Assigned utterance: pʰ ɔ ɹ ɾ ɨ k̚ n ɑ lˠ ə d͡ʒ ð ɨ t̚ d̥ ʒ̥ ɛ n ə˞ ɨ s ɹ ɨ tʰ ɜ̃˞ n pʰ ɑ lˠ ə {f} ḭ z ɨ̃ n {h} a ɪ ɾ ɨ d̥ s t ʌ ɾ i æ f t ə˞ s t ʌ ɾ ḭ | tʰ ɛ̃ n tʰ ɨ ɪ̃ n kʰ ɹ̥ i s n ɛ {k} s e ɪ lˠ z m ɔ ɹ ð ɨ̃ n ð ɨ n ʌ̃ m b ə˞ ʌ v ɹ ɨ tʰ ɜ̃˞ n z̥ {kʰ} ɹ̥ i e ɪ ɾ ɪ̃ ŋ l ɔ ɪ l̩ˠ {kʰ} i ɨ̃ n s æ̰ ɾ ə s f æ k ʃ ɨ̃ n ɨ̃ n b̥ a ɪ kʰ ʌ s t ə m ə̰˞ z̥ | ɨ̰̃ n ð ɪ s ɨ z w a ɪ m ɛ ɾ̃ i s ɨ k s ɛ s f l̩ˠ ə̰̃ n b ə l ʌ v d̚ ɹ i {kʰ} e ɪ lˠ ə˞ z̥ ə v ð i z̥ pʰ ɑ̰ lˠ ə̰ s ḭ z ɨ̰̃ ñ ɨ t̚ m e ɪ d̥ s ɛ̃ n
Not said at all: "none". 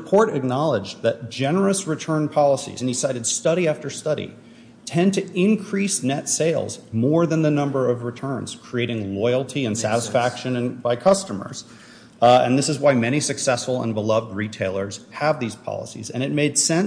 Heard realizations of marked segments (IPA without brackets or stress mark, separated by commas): s, s, t, kʰ, tʰ, tʰ